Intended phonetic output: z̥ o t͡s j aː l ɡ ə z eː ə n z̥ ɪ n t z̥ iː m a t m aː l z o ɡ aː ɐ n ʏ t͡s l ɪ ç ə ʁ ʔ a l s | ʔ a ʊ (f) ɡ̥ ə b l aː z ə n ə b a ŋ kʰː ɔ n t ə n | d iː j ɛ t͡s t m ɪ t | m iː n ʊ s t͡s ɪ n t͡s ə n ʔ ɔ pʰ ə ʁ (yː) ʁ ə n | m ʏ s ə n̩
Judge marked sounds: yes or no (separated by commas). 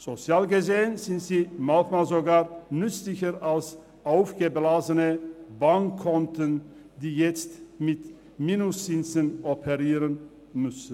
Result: yes, no